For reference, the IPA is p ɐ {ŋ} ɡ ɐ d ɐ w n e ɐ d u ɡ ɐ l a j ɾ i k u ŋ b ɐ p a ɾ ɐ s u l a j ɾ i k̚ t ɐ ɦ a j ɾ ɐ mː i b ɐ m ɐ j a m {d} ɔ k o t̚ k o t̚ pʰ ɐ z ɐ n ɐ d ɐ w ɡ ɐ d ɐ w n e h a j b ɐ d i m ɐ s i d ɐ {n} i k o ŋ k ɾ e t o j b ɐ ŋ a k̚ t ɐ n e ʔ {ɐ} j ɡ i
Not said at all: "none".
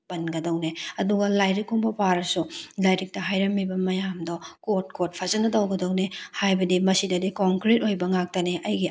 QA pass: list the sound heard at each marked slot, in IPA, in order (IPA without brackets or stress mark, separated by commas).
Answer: n, d, d, ɐ